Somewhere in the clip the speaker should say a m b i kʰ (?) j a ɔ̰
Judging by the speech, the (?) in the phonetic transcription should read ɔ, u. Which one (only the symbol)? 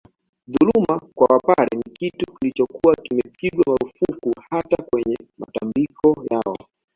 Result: ɔ